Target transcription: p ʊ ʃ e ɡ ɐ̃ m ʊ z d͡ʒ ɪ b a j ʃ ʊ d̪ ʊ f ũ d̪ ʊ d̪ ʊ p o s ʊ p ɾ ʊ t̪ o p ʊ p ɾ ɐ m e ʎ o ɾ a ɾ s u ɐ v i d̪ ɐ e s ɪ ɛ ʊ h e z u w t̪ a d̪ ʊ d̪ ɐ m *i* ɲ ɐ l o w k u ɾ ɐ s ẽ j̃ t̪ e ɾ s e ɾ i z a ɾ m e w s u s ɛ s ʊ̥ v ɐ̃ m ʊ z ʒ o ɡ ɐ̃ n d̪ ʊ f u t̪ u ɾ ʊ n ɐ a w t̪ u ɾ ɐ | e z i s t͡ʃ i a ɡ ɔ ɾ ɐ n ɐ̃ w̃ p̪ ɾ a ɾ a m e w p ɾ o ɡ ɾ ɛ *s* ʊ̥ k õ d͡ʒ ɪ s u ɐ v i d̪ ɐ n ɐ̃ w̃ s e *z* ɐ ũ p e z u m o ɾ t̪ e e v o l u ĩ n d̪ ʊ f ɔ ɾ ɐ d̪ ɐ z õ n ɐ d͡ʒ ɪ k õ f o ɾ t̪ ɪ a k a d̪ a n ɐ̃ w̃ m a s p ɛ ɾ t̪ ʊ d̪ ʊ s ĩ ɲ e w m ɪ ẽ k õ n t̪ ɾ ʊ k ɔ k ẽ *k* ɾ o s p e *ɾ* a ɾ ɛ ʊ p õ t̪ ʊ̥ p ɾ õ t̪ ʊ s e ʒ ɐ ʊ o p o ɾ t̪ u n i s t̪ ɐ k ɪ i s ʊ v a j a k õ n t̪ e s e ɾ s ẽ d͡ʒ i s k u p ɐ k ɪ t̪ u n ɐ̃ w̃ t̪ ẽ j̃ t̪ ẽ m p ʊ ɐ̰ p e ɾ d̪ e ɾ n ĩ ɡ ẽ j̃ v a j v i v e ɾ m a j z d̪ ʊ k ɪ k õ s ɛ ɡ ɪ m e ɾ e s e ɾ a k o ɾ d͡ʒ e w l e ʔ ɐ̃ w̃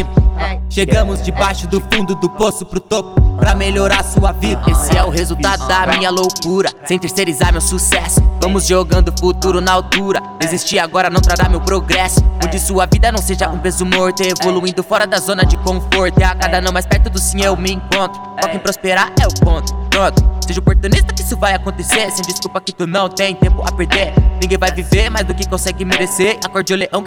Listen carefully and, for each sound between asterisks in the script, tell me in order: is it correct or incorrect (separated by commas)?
incorrect, correct, incorrect, incorrect, correct